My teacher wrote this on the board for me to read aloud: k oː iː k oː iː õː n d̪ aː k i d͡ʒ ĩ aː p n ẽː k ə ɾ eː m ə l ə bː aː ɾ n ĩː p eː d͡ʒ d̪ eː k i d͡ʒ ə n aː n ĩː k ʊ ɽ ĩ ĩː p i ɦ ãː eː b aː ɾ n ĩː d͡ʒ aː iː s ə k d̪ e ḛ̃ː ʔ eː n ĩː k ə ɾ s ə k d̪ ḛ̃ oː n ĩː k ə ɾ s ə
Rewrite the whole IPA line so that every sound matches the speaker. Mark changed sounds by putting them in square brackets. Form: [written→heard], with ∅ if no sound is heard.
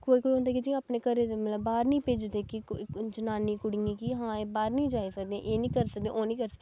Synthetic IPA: k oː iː k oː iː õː n d̪ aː k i d͡ʒ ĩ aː p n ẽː k ə ɾ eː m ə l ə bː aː ɾ n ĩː p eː d͡ʒ d̪ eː k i d͡ʒ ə n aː n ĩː k ʊ ɽ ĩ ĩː [p→k] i ɦ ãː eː b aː ɾ n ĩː d͡ʒ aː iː s ə k d̪ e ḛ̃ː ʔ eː n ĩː k ə ɾ s ə k d̪ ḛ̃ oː n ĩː k ə ɾ s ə